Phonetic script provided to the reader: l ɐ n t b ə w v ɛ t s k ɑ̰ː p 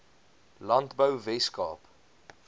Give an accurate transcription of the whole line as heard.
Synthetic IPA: l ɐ n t b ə w v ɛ s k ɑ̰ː p